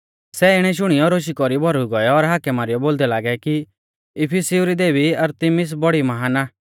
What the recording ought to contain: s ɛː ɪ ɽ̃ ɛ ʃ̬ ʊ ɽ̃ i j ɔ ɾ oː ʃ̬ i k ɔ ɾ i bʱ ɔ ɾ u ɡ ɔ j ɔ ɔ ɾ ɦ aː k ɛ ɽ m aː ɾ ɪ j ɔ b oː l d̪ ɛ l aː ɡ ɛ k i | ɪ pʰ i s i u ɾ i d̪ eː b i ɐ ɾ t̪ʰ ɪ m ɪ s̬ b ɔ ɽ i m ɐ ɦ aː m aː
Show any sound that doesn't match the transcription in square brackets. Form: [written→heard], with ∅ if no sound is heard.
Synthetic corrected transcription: s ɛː ɪ ɽ̃ ɛ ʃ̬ ʊ ɽ̃ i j ɔ ɾ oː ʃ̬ i k ɔ ɾ i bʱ ɔ ɾ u ɡ ɔ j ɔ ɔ ɾ ɦ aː k ɛ [ɽ→∅] m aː ɾ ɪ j ɔ b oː l d̪ ɛ l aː ɡ ɛ k i | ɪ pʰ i s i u ɾ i d̪ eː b i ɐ ɾ [t̪ʰ→t̪] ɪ m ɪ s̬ b ɔ ɽ i m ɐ ɦ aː [m→n] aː

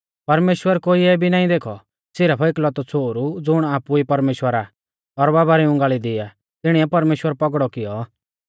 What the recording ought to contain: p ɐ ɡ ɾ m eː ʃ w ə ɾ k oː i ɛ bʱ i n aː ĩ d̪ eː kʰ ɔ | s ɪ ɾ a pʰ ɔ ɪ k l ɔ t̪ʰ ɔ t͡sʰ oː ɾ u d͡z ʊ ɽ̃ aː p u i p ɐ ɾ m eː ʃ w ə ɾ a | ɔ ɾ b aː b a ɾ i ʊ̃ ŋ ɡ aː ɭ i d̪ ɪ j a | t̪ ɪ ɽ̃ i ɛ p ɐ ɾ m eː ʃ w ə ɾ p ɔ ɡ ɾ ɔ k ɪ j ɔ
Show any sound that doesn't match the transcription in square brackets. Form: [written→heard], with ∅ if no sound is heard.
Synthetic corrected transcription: p ɐ [ɡ→∅] ɾ m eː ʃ w ə ɾ k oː i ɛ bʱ i n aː ĩ d̪ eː kʰ ɔ | s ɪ ɾ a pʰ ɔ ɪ k l ɔ [t̪ʰ→t̪] ɔ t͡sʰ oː ɾ u d͡z ʊ ɽ̃ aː p u i p ɐ ɾ m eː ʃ w ə ɾ a | ɔ ɾ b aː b a ɾ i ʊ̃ ŋ ɡ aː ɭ i d̪ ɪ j a | t̪ ɪ ɽ̃ i ɛ p ɐ ɾ m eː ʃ w ə ɾ p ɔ ɡ [ɾ→ɽ] ɔ k ɪ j ɔ

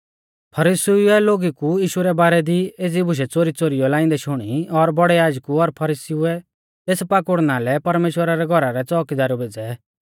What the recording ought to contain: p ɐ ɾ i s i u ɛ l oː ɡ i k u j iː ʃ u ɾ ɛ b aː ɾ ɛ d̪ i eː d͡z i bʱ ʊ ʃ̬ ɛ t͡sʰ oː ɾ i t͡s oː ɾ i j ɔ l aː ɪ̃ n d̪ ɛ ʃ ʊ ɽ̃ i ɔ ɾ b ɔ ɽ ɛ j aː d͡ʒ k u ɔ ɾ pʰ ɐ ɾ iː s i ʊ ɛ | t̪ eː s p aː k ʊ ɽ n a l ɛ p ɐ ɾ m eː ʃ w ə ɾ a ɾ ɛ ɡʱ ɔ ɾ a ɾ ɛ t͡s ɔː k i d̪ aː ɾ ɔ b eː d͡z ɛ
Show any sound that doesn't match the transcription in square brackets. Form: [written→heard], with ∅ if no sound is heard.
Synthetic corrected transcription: [p→pʰ] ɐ ɾ i s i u ɛ l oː ɡ i k u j iː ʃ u ɾ ɛ b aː ɾ ɛ d̪ i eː d͡z i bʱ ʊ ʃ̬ ɛ [t͡sʰ→t͡s] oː ɾ i t͡s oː ɾ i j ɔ l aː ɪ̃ n d̪ ɛ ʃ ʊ ɽ̃ i ɔ ɾ b ɔ ɽ ɛ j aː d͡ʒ k u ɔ ɾ pʰ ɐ ɾ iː s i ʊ ɛ | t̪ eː s p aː k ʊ ɽ n a l ɛ p ɐ ɾ m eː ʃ w ə ɾ a ɾ ɛ ɡʱ ɔ ɾ a ɾ ɛ t͡s ɔː k i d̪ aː ɾ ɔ b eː d͡z ɛ

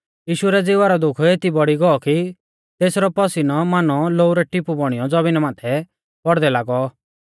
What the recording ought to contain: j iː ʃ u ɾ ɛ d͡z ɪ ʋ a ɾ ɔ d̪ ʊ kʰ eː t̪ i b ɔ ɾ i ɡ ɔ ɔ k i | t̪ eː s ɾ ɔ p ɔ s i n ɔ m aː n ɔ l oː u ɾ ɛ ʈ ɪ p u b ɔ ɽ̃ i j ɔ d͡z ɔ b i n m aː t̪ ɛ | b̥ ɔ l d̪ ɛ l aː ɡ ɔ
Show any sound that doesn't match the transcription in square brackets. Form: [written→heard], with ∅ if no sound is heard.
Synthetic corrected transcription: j iː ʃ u ɾ ɛ d͡z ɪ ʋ a ɾ ɔ d̪ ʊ kʰ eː t̪ i b ɔ [ɾ→ɽ] i ɡ ɔ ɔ k i | t̪ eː s ɾ ɔ p ɔ s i n ɔ m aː n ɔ l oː u ɾ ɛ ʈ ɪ p u b ɔ ɽ̃ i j ɔ d͡z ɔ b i n m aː [t̪→t̪ʰ] ɛ | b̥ ɔ [l→ɽ] d̪ ɛ l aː ɡ ɔ

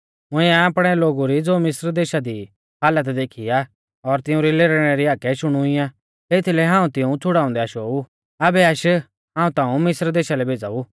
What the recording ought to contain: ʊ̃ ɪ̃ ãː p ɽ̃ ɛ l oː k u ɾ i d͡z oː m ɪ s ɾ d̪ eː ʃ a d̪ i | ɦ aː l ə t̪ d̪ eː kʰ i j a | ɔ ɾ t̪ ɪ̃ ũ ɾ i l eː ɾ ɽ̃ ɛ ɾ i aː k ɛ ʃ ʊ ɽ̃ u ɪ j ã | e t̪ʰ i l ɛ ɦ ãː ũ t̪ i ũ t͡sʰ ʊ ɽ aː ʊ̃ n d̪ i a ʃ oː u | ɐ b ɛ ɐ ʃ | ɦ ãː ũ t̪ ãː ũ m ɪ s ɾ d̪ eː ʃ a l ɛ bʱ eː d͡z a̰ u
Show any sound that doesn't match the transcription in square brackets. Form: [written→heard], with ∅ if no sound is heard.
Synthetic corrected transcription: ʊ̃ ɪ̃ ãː p ɽ̃ ɛ l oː [k→ɡ] u ɾ i d͡z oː m ɪ s ɾ d̪ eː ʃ a d̪ i | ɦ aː l ə t̪ d̪ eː kʰ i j a | ɔ ɾ t̪ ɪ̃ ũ ɾ i l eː ɾ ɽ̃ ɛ ɾ i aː k ɛ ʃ ʊ ɽ̃ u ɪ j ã | e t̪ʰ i l ɛ ɦ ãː ũ t̪ [i→ɪ] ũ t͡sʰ ʊ ɽ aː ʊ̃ n d̪ [i→ɛ] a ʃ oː u | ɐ b ɛ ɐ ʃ | ɦ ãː ũ t̪ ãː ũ m ɪ s ɾ d̪ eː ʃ a l ɛ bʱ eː d͡z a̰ u

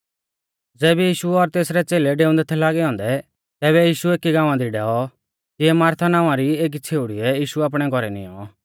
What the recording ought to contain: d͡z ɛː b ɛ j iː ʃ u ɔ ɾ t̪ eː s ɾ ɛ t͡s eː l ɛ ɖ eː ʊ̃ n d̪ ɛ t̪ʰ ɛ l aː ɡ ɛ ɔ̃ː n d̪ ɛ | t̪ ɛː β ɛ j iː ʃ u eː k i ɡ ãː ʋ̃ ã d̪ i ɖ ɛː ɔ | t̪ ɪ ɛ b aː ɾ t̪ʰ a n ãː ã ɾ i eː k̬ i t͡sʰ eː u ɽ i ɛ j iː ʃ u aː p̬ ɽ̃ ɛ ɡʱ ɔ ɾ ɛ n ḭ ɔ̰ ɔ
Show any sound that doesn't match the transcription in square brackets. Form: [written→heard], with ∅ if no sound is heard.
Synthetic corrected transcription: d͡z ɛː b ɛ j iː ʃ u ɔ ɾ t̪ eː s ɾ ɛ t͡s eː l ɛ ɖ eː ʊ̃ n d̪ ɛ t̪ʰ ɛ l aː ɡ ɛ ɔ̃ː n d̪ ɛ | t̪ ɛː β ɛ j iː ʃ u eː k i ɡ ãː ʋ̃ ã d̪ i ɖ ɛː ɔ | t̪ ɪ ɛ [b→m] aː ɾ t̪ʰ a n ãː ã ɾ i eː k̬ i t͡sʰ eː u ɽ i ɛ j iː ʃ u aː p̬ ɽ̃ ɛ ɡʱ ɔ ɾ ɛ n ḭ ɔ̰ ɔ

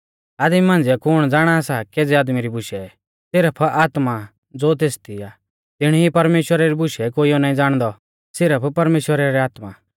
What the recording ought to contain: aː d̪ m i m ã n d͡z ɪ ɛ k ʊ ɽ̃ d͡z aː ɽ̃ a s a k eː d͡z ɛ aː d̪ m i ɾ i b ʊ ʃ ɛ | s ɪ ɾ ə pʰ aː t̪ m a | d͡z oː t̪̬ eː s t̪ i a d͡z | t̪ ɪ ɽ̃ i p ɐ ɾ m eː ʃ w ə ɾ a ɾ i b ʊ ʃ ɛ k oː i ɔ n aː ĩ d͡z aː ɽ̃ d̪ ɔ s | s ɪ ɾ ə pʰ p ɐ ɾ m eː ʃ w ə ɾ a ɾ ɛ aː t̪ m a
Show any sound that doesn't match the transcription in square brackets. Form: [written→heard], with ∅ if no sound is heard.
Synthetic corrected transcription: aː d̪ m i m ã n d͡z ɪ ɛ k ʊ ɽ̃ d͡z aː ɽ̃ a s a k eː d͡z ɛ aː d̪ m i ɾ i b ʊ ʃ ɛ | s ɪ ɾ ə pʰ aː t̪ m a | d͡z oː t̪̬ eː s t̪ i a [d͡z→∅] | t̪ ɪ ɽ̃ i p ɐ ɾ m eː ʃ w ə ɾ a ɾ i b ʊ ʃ ɛ k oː i ɔ n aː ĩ d͡z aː ɽ̃ d̪ ɔ [s→∅] | s ɪ ɾ ə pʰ p ɐ ɾ m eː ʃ w ə ɾ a ɾ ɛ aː t̪ m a

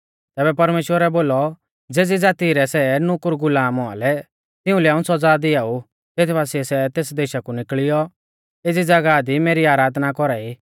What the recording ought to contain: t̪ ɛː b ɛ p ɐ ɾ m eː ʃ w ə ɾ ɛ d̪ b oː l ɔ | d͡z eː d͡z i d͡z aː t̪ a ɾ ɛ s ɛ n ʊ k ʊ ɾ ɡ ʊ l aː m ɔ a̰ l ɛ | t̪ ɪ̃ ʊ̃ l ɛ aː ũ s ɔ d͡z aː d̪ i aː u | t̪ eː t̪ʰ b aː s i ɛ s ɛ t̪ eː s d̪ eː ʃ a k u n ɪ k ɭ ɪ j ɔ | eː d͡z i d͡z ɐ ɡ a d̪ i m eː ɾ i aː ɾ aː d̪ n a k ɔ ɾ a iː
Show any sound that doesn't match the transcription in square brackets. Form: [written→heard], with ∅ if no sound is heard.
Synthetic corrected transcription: t̪ ɛː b ɛ p ɐ ɾ m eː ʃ w ə ɾ ɛ [d̪→∅] b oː l ɔ | d͡z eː d͡z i d͡z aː t̪ [a→i] ɾ ɛ s ɛ n ʊ k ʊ ɾ ɡ ʊ l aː m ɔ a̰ l ɛ | t̪ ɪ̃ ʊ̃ l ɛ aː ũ s ɔ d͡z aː d̪ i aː u | t̪ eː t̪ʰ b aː s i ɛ s ɛ t̪ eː s d̪ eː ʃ a k u n ɪ k ɭ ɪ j ɔ | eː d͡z i d͡z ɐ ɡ a d̪ i m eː ɾ i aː ɾ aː d̪ n a k ɔ ɾ a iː

